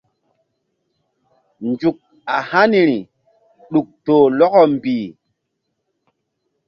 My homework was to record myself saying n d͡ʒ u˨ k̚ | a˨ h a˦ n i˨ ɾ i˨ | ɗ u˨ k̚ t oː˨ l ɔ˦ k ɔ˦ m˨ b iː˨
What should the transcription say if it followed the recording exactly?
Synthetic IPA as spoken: n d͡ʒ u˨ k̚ | a˨ h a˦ n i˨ ɾ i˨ | ɗ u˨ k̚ t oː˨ l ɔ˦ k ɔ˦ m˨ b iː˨